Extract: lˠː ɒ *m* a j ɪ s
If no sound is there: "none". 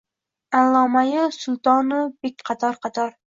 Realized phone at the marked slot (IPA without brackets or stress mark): m